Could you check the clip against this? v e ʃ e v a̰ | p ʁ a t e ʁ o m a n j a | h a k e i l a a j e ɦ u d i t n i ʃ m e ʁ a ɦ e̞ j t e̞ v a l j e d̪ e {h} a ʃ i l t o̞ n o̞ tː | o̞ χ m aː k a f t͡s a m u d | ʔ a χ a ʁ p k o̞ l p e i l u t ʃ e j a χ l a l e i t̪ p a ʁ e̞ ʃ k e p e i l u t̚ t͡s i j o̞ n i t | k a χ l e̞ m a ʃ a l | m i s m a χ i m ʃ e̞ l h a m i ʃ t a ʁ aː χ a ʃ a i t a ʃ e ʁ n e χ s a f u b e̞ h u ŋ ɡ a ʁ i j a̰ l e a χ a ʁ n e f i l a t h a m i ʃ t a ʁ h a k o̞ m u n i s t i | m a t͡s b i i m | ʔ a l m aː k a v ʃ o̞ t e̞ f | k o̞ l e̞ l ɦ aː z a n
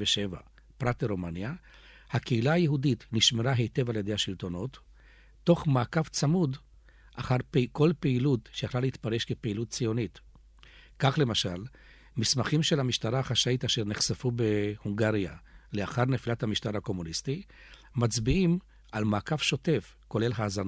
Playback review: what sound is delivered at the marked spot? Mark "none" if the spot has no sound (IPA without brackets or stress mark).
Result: h